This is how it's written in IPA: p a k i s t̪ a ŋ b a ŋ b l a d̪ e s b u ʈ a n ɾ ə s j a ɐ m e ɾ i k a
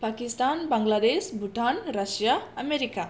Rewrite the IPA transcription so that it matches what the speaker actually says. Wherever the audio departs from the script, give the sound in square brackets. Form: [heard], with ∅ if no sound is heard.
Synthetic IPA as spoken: p a k i s t̪ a [n] b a ŋ [ɡ] l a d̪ e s b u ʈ a n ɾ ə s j a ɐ m e ɾ i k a